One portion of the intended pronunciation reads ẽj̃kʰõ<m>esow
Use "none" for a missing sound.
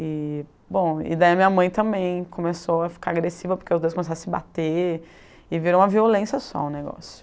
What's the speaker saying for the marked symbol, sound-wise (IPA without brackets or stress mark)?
m